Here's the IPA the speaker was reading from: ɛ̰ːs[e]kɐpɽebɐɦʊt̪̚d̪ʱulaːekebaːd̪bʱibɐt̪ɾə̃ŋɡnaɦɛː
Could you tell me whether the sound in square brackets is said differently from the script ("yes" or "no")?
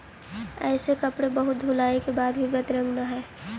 no